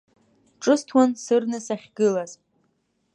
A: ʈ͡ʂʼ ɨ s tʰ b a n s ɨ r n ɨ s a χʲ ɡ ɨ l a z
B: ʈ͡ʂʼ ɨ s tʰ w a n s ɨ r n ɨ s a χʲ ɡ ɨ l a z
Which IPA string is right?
B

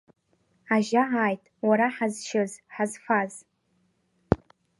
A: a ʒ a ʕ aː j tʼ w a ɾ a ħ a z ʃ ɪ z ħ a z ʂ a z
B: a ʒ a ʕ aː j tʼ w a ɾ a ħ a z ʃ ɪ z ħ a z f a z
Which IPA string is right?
B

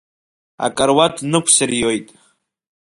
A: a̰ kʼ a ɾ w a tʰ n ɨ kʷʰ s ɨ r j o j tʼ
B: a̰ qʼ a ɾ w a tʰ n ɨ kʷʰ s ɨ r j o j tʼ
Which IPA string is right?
A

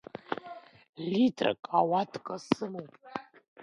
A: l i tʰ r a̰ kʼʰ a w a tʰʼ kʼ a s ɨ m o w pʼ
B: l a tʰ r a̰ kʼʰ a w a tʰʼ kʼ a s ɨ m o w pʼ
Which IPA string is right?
A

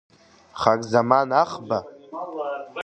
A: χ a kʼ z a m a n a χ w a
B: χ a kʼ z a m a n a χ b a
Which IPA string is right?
B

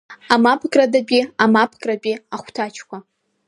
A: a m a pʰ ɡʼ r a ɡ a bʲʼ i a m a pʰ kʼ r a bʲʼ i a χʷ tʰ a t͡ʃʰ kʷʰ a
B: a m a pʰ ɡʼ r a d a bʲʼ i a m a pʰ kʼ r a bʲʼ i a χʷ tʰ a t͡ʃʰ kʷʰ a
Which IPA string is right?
B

